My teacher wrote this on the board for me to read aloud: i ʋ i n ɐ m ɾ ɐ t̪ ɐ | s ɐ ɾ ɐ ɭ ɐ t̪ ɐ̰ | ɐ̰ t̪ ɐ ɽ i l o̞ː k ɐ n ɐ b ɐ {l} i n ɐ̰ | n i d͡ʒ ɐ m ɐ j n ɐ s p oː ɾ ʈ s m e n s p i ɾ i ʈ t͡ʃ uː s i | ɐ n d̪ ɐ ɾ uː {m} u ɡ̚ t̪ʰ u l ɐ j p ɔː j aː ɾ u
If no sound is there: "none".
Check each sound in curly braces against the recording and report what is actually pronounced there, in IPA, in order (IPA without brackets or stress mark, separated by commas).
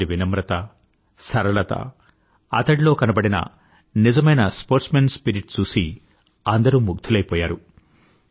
ɽ, m